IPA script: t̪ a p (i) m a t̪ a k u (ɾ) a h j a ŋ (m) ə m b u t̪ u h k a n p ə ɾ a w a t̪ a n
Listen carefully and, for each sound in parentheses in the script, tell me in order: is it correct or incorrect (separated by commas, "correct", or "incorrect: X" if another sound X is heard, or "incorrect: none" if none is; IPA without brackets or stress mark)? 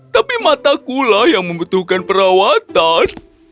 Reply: correct, incorrect: l, correct